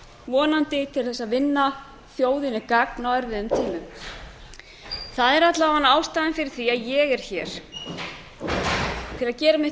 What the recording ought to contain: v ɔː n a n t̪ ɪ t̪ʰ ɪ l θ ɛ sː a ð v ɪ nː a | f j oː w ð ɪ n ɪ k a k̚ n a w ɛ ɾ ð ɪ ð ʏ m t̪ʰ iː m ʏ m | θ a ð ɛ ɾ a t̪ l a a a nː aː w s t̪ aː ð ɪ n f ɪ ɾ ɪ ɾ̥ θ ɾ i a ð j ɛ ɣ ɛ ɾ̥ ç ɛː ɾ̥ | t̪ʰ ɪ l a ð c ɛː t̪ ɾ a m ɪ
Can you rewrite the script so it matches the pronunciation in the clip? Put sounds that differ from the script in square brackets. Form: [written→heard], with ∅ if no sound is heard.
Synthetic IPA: v ɔː n a n t̪ ɪ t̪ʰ ɪ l θ ɛ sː a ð v ɪ nː a | [f→θ] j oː w ð ɪ n ɪ k a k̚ n a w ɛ ɾ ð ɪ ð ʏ m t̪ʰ iː m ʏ m | θ a ð ɛ ɾ a t̪ l a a a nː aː w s t̪ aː ð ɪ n f ɪ ɾ ɪ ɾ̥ θ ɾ i a ð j ɛ ɣ ɛ ɾ̥ ç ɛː ɾ̥ | t̪ʰ ɪ l a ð c ɛː [t̪→∅] ɾ a m ɪ